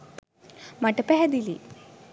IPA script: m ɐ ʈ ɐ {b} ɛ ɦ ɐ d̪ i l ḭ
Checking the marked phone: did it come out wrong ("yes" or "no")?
yes